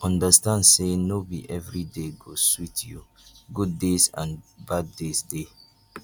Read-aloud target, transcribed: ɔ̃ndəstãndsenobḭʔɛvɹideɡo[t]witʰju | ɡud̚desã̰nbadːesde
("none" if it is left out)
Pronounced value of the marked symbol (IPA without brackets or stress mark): s